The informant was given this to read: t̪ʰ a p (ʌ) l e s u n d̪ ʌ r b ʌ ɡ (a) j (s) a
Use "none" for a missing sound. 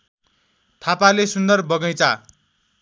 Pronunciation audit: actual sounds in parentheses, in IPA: a, ʌ, t͡s

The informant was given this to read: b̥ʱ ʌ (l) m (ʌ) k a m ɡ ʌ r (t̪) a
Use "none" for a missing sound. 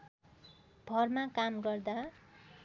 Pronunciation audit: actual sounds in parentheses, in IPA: r, a, d̪

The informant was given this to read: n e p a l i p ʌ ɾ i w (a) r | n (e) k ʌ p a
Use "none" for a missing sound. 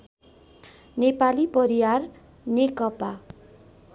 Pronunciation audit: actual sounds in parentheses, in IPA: a, e

